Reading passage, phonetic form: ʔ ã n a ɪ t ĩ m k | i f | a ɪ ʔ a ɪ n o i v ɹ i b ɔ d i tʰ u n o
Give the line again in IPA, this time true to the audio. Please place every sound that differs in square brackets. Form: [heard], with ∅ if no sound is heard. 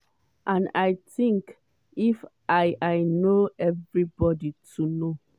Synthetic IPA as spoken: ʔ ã n a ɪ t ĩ [ŋ] k | i f | a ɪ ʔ a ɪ n o [ɛ] v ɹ i b ɔ d i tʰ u n o

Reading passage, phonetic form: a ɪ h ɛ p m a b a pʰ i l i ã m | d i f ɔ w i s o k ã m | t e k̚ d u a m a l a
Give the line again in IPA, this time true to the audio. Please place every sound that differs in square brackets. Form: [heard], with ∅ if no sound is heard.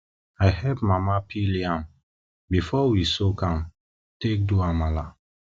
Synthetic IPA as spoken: a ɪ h ɛ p m a [m] a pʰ i l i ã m | [b] i f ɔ w i s o k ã m | t e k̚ d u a m a l a

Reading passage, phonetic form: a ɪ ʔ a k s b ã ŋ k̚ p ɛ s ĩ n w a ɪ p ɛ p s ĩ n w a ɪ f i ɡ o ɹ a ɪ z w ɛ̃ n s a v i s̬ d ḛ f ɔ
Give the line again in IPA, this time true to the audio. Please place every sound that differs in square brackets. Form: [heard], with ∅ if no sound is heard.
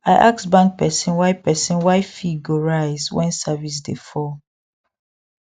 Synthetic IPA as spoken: a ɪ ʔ a k s b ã ŋ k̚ p ɛ s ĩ n w a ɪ p ɛ [∅] s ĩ n w a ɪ f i ɡ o ɹ a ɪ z w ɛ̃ n s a v i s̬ d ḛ f ɔ

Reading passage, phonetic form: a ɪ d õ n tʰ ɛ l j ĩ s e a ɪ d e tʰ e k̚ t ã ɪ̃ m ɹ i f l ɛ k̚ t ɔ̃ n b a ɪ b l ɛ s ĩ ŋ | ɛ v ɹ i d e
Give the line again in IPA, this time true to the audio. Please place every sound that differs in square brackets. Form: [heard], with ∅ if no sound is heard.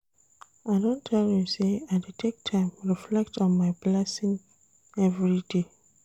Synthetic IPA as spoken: a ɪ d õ n tʰ ɛ l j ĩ s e a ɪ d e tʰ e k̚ [tʰ] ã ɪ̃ m ɹ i f l ɛ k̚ t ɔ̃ n [m] a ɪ b l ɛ s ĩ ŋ | ɛ v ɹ i d e

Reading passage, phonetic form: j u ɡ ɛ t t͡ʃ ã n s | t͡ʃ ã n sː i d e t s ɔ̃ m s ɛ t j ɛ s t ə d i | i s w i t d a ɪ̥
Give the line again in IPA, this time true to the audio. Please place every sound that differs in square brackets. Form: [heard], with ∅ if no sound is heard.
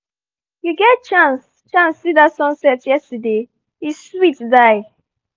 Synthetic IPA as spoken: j u ɡ ɛ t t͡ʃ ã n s | t͡ʃ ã n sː i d [a] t s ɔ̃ [n] s ɛ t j ɛ s t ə d [e] | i s w i t d a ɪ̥

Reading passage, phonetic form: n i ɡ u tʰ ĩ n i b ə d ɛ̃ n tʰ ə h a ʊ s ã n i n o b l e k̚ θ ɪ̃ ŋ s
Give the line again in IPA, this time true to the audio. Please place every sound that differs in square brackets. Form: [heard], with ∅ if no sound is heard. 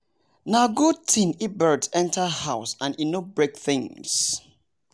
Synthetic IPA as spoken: n [a] ɡ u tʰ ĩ n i b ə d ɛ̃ n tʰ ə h a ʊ s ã n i n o b [ɹ] e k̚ θ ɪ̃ ŋ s

